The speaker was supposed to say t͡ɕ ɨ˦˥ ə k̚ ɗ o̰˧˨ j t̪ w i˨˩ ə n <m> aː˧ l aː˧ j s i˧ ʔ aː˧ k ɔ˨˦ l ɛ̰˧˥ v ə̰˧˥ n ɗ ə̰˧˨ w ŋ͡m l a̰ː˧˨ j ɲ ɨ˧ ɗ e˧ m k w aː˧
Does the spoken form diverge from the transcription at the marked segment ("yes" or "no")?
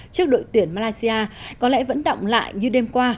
no